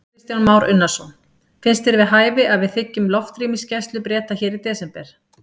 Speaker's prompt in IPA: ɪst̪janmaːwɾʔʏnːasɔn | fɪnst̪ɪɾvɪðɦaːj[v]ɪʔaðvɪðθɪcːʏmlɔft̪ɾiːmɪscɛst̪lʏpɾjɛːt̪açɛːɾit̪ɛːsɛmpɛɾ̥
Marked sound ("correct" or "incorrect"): correct